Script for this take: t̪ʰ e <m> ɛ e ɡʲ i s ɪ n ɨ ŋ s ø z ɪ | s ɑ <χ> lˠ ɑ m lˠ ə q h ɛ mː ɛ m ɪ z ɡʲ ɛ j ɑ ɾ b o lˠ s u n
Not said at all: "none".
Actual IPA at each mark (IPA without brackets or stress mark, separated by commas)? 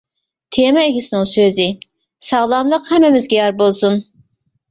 m, ʁ